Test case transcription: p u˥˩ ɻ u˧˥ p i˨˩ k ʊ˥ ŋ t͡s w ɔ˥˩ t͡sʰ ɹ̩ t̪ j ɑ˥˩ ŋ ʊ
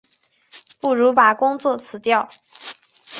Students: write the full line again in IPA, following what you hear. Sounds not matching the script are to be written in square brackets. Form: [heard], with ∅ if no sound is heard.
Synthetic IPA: p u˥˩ ɻ u˧˥ p [a˨˩] k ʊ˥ ŋ t͡s w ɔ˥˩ t͡sʰ ɹ̩ t̪ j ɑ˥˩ [∅] ʊ